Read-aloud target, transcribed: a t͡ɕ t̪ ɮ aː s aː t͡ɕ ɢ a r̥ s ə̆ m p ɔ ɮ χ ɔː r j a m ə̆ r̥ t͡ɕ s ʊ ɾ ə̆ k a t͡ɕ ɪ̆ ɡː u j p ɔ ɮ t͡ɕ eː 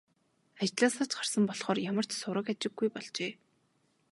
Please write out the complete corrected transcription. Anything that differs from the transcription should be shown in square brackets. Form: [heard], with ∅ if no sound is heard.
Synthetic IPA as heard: a t͡ɕ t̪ ɮ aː s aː t͡ɕ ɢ a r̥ s ə̆ m p ɔ ɮ χ ɔː r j a m ə̆ r̥ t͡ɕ s ʊ ɾ ə̆ k a t͡ɕ ɪ̆ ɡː u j p ɔ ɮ t͡ɕ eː